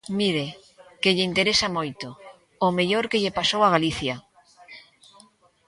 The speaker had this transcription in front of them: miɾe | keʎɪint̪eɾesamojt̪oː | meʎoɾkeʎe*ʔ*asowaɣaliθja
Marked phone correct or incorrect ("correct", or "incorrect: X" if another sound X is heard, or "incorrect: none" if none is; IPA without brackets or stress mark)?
incorrect: p